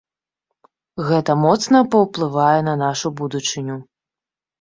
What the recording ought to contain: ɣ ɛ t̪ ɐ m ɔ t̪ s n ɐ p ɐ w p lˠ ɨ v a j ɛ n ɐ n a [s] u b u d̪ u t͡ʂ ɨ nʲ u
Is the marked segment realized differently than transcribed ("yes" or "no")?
yes